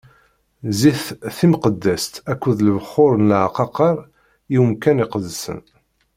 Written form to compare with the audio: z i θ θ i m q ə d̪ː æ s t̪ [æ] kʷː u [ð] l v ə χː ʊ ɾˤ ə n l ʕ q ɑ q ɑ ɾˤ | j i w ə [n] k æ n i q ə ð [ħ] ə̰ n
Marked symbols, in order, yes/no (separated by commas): yes, yes, no, no